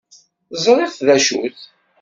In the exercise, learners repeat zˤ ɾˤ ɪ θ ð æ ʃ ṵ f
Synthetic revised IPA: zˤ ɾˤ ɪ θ ð æ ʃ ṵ θ